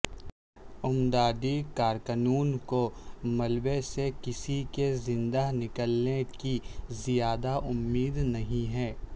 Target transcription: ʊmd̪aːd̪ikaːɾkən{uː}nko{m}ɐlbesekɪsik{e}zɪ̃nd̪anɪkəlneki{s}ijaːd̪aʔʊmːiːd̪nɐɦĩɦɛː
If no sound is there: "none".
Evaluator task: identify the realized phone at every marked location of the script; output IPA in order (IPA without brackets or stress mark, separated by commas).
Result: uː, m, e, z